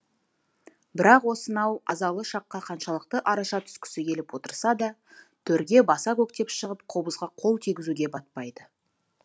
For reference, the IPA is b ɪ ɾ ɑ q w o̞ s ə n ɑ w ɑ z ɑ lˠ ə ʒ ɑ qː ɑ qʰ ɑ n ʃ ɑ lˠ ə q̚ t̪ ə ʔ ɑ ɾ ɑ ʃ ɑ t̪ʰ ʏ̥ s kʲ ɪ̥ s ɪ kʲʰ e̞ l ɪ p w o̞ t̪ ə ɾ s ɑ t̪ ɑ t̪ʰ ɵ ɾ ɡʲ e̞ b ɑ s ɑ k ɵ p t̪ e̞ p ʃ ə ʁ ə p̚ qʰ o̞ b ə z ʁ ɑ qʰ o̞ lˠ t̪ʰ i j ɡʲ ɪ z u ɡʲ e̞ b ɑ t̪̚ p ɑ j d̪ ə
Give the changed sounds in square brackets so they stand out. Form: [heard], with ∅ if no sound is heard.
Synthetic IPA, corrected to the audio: b ɪ ɾ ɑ q w o̞ s ə n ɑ w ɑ z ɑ lˠ ə [ʃ] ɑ qː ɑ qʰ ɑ n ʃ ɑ lˠ ə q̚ t̪ ə ʔ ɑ ɾ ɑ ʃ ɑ t̪ʰ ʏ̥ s kʲ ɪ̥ s ɪ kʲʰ e̞ l ɪ p w o̞ t̪ ə ɾ s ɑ [d̪] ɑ t̪ʰ ɵ ɾ ɡʲ e̞ b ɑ s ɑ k ɵ [k] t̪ e̞ p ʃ ə ʁ ə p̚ qʰ o̞ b ə z ʁ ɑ qʰ o̞ lˠ t̪ʰ i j ɡʲ ɪ z u ɡʲ e̞ b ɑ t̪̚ p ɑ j d̪ ə

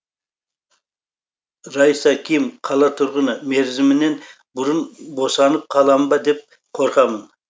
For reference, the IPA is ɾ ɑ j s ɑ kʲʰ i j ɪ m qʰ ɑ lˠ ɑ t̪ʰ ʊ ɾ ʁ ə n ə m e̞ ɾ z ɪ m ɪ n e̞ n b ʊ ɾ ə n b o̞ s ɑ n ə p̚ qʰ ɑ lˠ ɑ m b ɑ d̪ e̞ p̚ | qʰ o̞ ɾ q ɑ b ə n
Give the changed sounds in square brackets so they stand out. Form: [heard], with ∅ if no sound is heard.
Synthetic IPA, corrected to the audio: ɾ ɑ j s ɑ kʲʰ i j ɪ m qʰ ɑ lˠ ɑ t̪ʰ ʊ ɾ ʁ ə n ə m e̞ ɾ z ɪ m ɪ n e̞ n b ʊ ɾ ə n b o̞ s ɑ n ə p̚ qʰ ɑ lˠ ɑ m b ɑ d̪ e̞ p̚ | qʰ o̞ ɾ q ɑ [m] ə n

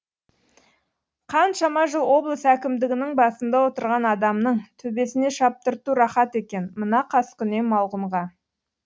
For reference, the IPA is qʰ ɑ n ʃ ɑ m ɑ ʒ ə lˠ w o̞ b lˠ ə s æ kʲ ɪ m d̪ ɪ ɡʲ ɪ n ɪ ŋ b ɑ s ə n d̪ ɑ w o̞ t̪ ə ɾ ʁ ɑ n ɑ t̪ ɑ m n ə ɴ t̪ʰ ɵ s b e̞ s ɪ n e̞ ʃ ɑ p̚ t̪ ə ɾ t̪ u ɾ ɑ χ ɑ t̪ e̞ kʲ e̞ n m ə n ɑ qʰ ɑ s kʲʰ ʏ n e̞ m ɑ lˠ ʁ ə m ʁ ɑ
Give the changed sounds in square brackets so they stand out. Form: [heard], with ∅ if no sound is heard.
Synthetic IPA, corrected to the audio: qʰ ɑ n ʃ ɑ m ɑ ʒ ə lˠ w o̞ b lˠ ə s æ kʲ ɪ m d̪ ɪ ɡʲ ɪ n ɪ ŋ b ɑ s ə n d̪ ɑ w o̞ t̪ ə ɾ ʁ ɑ n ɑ [d̪] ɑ m n ə ɴ t̪ʰ ɵ [∅] b e̞ s ɪ n e̞ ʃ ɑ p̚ t̪ ə ɾ t̪ u ɾ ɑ χ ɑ t̪ e̞ kʲ e̞ n m ə n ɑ qʰ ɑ s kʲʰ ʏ n e̞ m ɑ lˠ ʁ ə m ʁ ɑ

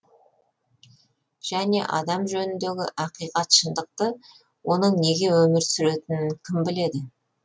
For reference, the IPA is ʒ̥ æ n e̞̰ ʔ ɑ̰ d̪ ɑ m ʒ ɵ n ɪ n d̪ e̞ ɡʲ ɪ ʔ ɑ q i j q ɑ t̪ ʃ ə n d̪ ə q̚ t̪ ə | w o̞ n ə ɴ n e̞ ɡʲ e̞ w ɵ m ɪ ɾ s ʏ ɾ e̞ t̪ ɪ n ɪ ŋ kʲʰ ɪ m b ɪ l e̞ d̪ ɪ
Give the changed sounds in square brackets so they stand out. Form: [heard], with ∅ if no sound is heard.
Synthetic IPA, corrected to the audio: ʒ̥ æ n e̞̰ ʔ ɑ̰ d̪ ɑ m ʒ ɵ n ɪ n d̪ e̞ ɡʲ ɪ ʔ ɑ q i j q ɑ t̪ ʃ ə n d̪ ə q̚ t̪ ə | w o̞ n ə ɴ n e̞ ɡʲ e̞ w ɵ m ɪ ɾ s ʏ ɾ e̞ t̪ ɪ n ɪ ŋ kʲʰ ɪ m b ɪ l e̞ d̪ ɪ

